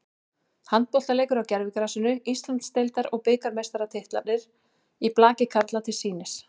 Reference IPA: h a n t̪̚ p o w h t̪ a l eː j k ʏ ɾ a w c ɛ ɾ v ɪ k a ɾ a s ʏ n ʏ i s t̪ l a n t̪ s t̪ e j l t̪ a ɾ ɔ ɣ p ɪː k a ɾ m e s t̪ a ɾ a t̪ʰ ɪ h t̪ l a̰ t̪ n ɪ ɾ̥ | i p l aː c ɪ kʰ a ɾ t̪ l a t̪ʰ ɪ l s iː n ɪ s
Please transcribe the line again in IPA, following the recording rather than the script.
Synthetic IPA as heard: h a n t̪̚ p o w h t̪ a l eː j k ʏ ɾ a w c ɛ ɾ v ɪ k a ɾ a s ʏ n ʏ i s t̪ l a n t̪ s t̪ e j l t̪ a ɾ ɔ ɣ p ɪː k a ɾ m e s t̪ a ɾ a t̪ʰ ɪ h t̪ l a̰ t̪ n ɪ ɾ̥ | i p l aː c ɪ kʰ a ɾ t̪ l a t̪ʰ ɪ l s iː n ɪ s